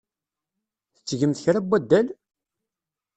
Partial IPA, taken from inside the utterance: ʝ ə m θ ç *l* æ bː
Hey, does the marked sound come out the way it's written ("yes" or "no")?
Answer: no